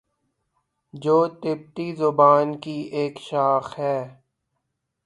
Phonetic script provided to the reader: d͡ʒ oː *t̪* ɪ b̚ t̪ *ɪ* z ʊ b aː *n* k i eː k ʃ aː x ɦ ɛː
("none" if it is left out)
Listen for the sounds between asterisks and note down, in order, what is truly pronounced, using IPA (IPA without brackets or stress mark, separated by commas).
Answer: t̪, i, n